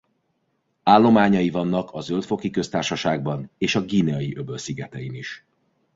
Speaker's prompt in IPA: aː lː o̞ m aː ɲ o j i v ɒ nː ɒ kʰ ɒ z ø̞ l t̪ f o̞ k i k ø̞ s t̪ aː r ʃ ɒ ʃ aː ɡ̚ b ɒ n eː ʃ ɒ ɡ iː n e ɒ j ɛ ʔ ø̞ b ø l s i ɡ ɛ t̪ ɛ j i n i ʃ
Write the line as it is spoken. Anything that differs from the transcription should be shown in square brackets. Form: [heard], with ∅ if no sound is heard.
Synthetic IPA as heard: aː lː o̞ m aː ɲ [ɒ] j i v ɒ nː ɒ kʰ ɒ z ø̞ l t̪ f o̞ k i k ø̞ s t̪ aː r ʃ ɒ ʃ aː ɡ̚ b ɒ n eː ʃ ɒ ɡ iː n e ɒ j [i] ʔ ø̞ b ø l s i ɡ ɛ t̪ ɛ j i n i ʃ